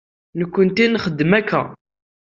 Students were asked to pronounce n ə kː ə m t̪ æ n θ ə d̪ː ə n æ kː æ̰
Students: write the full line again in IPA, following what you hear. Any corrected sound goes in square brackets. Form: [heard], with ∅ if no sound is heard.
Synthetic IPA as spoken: n ə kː ə [n] t̪ [i] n [χ] ə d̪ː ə [m] æ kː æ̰